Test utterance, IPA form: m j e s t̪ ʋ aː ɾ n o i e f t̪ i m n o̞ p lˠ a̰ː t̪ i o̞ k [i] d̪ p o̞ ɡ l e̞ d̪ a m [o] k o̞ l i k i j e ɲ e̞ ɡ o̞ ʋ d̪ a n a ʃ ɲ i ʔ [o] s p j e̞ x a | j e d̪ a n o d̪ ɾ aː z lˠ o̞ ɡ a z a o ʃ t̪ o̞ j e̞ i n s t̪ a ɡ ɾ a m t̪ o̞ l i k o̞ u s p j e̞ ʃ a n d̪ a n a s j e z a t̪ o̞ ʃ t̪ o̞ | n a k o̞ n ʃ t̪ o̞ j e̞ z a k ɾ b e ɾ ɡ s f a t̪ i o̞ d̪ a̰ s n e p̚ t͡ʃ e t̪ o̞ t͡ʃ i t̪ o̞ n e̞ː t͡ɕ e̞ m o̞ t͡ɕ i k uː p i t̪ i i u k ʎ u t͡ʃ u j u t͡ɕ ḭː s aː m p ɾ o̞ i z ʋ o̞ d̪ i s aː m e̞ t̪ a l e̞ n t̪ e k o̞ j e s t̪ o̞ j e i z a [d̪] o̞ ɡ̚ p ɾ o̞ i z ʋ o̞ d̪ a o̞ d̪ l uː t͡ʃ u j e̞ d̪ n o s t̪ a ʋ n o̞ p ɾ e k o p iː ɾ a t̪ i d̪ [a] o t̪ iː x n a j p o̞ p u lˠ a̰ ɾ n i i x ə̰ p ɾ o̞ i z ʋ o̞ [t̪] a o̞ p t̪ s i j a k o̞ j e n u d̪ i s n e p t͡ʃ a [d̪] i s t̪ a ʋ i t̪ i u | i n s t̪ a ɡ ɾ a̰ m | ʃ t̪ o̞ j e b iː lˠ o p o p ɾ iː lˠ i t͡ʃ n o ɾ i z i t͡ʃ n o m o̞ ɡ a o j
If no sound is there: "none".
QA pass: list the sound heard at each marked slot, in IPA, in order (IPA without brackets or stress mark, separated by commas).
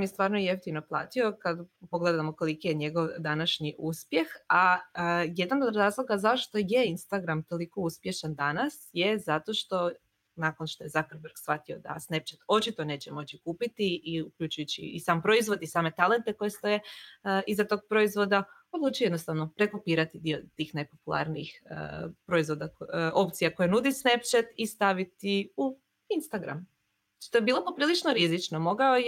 a, o, u, t̪, i, d̪, t̪